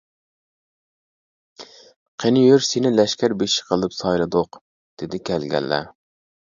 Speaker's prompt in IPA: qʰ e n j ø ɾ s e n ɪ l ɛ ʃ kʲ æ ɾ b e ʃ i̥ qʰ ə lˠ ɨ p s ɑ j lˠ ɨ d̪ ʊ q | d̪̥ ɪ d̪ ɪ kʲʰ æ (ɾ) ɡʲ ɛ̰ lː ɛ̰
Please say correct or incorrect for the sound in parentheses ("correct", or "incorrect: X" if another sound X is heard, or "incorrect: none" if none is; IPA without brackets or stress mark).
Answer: incorrect: l